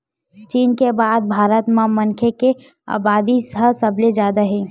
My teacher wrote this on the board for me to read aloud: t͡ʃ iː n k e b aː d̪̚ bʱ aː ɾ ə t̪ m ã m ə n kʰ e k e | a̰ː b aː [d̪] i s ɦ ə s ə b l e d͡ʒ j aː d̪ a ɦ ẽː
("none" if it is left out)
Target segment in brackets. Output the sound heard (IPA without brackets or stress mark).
d̪